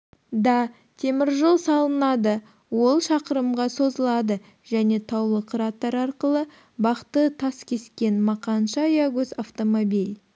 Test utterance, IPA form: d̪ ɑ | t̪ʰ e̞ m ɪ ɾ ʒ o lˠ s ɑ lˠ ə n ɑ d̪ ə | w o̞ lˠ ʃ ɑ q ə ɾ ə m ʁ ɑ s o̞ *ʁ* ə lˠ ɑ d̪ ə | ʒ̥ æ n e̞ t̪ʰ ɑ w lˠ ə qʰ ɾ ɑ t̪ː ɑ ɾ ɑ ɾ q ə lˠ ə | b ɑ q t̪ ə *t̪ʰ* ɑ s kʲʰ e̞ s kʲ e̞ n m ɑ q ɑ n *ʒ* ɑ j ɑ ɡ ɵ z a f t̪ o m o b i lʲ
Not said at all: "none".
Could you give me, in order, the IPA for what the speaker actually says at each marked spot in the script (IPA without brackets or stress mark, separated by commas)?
z, t̪ʰ, ʃ